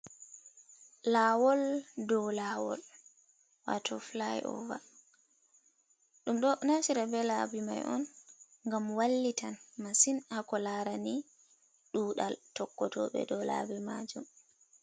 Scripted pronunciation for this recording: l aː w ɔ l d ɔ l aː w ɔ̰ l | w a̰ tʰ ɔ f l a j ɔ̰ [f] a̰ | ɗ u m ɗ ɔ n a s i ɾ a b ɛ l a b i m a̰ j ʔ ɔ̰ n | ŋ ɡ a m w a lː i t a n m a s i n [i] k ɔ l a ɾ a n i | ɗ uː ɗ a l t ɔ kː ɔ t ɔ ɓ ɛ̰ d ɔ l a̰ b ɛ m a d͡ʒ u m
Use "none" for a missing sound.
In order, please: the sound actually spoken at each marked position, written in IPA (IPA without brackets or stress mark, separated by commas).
v, a